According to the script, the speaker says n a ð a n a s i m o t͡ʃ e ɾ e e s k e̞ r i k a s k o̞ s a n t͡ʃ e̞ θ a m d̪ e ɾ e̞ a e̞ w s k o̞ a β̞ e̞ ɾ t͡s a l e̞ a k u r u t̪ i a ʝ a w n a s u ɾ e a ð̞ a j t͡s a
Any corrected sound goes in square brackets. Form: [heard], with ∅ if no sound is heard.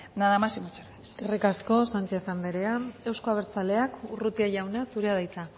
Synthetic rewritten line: n a ð a [m] a s i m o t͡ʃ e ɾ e e s k e̞ r i k a s k o̞ s a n t͡ʃ e̞ θ a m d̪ e ɾ e̞ a e̞ w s k o̞ a β̞ e̞ ɾ t͡s a l e̞ a k u r u t̪ i a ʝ a w n a s u ɾ e a ð̞ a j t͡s a